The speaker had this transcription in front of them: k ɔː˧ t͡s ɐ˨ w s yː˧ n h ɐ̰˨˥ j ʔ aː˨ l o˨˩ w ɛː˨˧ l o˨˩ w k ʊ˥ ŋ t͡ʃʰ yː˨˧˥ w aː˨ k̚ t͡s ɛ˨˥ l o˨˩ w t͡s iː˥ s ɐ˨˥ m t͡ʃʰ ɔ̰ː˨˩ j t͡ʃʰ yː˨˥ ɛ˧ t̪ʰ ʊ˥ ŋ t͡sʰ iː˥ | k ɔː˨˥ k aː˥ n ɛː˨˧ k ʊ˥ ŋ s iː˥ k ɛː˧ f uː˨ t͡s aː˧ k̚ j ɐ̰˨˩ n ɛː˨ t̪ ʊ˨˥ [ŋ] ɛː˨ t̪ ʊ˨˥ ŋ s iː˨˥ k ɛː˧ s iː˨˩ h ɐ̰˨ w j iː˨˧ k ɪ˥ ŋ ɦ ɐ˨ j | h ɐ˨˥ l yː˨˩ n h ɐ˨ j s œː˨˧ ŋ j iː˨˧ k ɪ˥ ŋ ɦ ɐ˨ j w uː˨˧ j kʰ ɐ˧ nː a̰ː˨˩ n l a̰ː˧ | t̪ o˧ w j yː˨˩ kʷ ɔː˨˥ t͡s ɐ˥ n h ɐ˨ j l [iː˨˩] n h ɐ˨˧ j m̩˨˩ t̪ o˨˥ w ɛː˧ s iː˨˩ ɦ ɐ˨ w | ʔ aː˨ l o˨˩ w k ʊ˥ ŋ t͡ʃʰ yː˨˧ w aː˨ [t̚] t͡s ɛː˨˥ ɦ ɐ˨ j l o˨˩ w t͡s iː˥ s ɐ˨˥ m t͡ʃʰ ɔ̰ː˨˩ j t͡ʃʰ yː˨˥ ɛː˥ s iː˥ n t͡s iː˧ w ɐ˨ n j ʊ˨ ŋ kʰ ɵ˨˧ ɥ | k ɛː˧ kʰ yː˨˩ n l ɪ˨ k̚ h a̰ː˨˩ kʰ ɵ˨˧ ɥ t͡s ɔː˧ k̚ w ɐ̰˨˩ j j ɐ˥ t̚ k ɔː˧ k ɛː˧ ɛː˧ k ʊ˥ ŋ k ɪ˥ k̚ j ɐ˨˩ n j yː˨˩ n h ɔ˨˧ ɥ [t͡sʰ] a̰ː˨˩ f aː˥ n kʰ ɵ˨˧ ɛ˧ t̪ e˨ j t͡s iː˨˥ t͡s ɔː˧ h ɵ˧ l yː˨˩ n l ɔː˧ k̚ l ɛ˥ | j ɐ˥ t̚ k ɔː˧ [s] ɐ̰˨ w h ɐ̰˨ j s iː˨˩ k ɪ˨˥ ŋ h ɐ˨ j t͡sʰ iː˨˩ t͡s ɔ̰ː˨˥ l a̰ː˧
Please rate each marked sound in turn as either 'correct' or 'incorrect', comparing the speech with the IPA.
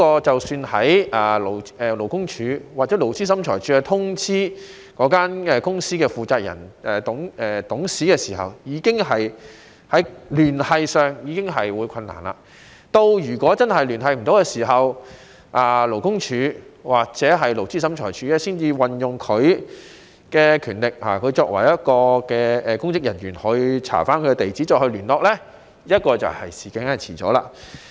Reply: correct, incorrect, incorrect, correct, incorrect

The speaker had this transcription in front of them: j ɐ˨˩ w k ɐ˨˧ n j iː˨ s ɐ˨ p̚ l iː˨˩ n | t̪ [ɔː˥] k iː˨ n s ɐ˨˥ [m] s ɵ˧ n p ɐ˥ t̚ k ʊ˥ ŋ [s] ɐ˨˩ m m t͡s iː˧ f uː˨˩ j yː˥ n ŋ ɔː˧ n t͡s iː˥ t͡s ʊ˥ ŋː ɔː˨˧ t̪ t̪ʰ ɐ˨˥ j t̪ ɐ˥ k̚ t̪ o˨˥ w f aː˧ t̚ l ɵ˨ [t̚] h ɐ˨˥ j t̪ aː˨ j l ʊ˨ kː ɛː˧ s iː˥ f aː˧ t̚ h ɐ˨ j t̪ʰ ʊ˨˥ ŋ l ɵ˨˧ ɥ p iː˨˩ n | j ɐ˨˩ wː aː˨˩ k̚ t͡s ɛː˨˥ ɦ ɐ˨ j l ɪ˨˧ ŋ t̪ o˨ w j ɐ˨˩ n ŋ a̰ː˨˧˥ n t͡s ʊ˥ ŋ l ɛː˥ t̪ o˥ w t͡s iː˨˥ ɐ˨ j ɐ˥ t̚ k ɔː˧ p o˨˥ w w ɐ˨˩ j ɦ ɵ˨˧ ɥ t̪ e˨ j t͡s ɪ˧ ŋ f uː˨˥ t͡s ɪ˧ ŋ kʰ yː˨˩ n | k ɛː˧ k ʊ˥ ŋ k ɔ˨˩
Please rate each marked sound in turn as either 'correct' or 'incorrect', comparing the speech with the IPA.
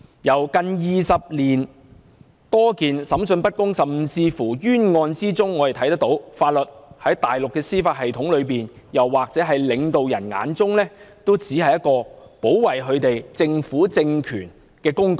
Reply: correct, correct, correct, correct

